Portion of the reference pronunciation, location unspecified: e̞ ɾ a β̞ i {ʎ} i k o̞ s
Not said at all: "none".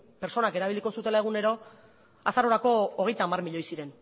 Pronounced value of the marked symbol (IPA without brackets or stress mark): l